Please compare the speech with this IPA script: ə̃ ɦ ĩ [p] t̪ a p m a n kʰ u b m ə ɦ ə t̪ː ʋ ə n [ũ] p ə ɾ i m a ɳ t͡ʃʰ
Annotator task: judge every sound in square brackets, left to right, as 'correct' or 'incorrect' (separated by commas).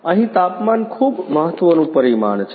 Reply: incorrect, correct